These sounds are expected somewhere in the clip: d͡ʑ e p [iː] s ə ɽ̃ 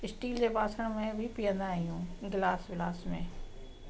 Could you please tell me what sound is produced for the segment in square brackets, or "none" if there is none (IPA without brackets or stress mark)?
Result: aː